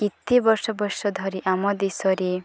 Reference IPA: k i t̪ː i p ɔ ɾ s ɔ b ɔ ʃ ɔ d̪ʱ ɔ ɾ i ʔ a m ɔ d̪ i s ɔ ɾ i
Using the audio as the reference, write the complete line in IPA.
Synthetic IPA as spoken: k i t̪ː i b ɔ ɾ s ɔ b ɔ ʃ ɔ d̪ʱ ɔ ɾ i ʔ a m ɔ d̪ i s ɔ ɾ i